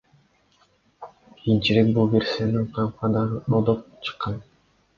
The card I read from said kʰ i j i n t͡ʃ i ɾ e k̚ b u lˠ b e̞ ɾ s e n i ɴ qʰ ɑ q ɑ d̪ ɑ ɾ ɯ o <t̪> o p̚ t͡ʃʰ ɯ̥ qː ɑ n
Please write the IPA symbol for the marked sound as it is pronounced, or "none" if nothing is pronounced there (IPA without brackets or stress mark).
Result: d̪